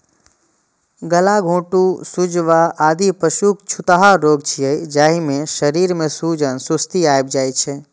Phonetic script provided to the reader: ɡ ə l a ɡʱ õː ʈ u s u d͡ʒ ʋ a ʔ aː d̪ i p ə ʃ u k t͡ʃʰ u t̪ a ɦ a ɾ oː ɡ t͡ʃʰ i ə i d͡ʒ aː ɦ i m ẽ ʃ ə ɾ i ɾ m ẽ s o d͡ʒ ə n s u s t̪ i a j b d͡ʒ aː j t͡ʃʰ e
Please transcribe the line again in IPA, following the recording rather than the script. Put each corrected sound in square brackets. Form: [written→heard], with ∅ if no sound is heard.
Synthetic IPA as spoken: ɡ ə l a ɡʱ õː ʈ u s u d͡ʒ ʋ a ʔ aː d̪ i p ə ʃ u k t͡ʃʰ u t̪ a ɦ a ɾ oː ɡ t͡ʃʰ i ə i d͡ʒ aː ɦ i m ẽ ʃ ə ɾ i ɾ m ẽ s [o→u] d͡ʒ ə n s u s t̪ i a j b d͡ʒ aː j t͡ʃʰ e